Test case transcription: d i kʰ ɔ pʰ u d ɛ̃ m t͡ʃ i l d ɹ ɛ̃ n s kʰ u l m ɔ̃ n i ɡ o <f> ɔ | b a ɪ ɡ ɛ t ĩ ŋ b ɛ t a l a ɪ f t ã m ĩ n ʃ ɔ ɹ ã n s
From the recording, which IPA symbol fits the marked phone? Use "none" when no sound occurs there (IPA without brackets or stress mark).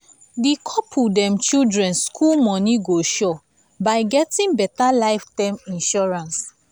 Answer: ʃ